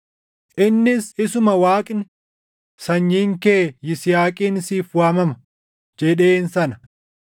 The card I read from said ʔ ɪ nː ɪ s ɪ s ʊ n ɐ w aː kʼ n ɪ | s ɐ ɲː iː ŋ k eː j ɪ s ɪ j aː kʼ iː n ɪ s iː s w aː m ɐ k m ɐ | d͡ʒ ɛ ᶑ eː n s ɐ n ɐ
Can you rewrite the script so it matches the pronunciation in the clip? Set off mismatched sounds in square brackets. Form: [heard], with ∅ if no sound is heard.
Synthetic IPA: ʔ ɪ nː ɪ s ɪ s ʊ [m] ɐ w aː kʼ n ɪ | s ɐ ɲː iː ŋ k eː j ɪ s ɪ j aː kʼ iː n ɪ s iː [f] w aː m ɐ [∅] m ɐ | d͡ʒ ɛ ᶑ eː n s ɐ n ɐ